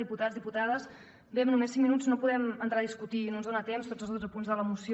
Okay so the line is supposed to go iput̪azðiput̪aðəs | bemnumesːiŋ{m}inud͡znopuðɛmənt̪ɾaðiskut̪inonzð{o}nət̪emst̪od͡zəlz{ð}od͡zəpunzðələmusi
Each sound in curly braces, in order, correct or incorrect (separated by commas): correct, correct, correct